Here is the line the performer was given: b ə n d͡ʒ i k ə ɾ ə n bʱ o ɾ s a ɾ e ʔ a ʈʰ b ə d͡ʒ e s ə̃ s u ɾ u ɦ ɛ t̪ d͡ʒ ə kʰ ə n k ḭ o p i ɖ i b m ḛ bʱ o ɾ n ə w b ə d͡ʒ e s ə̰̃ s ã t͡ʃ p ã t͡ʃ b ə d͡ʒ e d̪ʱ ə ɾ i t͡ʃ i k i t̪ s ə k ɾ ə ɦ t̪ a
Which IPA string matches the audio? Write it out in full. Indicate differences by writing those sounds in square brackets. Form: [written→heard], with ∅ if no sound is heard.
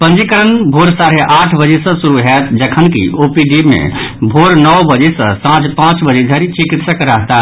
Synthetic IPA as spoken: [b→p] ə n d͡ʒ i k ə ɾ ə n bʱ o ɾ s a ɾ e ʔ a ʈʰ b ə d͡ʒ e s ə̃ s u ɾ u ɦ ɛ t̪ d͡ʒ ə kʰ ə n k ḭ o p i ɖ i b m ḛ bʱ o ɾ n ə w b ə d͡ʒ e s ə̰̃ s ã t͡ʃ p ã t͡ʃ b ə d͡ʒ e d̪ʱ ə ɾ i t͡ʃ i k i t̪ s ə k ɾ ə ɦ t̪ a